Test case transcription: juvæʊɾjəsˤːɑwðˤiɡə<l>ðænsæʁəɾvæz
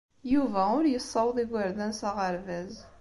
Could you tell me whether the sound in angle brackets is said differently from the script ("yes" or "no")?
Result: yes